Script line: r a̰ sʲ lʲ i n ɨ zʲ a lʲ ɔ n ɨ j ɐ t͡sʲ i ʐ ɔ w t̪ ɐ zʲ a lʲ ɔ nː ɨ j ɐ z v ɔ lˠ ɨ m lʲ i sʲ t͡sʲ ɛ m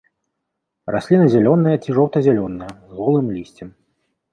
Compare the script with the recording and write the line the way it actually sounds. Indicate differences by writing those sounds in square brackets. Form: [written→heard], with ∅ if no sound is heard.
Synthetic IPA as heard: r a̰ sʲ lʲ i n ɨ zʲ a lʲ ɔ n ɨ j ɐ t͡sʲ i ʐ ɔ w t̪ ɐ zʲ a lʲ ɔ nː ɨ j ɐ z [v→ɣ] ɔ lˠ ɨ m lʲ i sʲ t͡sʲ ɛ m